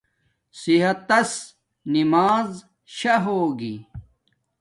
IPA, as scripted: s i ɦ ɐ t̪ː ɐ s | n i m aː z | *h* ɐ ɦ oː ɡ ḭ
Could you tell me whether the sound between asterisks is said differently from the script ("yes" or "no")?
yes